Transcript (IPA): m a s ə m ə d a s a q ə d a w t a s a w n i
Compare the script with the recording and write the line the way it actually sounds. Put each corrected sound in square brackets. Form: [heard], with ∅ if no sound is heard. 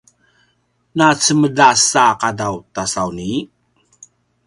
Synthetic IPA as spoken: [n] a [t͡s] ə m ə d a s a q [a] d a w t a s a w n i